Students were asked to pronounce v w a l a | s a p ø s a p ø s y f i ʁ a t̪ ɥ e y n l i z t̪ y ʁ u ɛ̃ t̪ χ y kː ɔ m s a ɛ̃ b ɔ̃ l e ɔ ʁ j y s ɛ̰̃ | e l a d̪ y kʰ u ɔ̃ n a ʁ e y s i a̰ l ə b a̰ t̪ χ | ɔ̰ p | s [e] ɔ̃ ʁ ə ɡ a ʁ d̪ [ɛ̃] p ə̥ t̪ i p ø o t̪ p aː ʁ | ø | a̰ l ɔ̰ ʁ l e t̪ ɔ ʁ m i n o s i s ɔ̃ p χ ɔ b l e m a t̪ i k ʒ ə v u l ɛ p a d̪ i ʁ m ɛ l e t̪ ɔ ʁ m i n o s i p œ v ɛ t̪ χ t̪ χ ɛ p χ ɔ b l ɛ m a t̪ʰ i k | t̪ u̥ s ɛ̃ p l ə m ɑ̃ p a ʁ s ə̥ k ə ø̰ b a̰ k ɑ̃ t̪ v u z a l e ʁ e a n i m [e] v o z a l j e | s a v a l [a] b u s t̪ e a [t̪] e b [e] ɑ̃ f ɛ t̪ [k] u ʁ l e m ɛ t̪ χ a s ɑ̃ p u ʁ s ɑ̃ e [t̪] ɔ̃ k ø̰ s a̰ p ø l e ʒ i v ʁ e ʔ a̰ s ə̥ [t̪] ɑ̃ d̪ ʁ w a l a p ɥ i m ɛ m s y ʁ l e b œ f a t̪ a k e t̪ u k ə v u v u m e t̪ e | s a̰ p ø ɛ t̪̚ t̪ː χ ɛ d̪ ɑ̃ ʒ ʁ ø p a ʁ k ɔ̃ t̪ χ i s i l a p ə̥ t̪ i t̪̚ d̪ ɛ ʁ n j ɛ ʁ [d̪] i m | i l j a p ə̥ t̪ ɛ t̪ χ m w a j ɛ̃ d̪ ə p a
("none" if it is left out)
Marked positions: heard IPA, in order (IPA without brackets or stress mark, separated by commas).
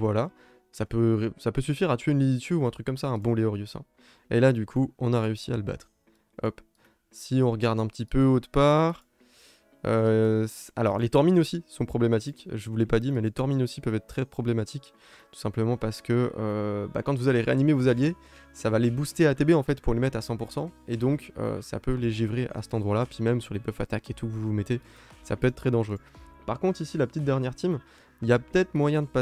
i, ɛ̃, e, e, t̪, e, p, d̪, t̪, t̪